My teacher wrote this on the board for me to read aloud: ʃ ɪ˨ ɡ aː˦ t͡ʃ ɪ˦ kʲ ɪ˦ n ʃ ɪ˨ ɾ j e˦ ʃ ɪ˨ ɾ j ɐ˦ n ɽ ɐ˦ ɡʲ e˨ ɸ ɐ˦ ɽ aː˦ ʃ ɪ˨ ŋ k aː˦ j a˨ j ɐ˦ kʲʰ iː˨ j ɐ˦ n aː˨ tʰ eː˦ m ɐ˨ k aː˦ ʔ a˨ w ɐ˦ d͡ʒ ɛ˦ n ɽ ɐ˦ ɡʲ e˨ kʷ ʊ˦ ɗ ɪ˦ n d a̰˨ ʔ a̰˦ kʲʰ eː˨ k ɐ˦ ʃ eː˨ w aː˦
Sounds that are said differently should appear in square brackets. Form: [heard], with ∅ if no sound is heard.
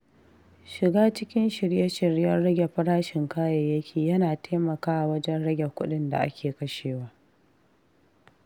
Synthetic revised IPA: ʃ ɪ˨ ɡ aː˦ t͡ʃ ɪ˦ kʲ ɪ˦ n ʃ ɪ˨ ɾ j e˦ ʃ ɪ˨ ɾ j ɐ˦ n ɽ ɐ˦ ɡʲ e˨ ɸ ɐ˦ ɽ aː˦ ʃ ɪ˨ ŋ k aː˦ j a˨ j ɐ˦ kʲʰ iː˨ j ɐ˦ n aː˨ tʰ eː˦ m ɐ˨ k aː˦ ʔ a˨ w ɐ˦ d͡ʒ ɛ˦ n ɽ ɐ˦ ɡʲ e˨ kʷ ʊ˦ ɗ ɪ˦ n d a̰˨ ʔ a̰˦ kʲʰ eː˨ k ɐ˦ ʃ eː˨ w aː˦

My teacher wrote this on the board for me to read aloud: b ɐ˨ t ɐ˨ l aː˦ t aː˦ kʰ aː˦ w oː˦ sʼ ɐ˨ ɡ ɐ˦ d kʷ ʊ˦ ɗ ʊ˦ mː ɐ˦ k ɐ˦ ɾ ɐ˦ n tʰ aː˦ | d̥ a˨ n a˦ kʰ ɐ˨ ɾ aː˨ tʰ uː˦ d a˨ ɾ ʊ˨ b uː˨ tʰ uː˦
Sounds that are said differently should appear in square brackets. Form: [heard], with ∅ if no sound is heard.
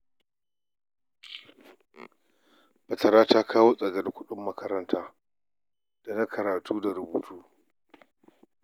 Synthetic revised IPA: b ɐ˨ t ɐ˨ [ɾ] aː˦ t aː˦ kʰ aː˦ w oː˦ sʼ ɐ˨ ɡ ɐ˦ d kʷ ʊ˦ ɗ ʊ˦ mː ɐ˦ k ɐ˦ ɾ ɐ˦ n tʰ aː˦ | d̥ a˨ n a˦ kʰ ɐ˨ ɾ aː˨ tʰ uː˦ d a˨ ɾ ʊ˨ b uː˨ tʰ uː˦

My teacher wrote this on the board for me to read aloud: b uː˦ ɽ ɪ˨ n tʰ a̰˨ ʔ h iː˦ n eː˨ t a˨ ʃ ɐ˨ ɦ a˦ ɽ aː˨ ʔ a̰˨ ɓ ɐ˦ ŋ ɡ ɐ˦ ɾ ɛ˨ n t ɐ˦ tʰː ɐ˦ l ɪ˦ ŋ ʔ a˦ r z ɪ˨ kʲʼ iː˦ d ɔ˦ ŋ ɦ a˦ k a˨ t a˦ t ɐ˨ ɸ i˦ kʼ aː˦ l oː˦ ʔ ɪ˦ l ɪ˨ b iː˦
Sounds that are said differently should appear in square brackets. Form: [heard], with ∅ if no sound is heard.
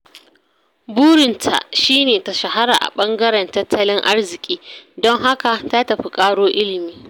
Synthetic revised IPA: b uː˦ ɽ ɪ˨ n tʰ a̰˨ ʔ [ʃ] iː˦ n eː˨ t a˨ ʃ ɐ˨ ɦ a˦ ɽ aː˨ ʔ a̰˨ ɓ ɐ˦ ŋ ɡ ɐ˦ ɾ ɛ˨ n t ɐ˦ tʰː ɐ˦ l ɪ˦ ŋ ʔ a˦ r z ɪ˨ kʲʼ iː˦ d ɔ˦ ŋ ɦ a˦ k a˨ t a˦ t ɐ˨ ɸ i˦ kʼ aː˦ [ɽ] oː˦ ʔ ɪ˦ l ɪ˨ [m] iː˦

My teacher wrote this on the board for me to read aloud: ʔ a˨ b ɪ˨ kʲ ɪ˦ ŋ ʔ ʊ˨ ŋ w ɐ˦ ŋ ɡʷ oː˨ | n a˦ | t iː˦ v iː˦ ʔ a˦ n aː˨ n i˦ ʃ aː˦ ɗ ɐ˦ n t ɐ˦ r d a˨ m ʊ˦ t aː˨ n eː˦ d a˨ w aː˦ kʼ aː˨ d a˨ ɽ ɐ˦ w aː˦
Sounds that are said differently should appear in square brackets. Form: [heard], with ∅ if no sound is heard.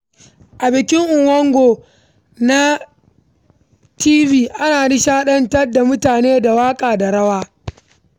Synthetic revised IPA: ʔ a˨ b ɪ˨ kʲ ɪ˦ ŋ ʔ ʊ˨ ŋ w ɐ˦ ŋ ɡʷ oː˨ | n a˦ | t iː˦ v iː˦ ʔ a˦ n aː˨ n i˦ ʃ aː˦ ɗ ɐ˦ n t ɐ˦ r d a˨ m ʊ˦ t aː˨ n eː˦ d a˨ w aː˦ kʼ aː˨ d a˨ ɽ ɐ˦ w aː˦

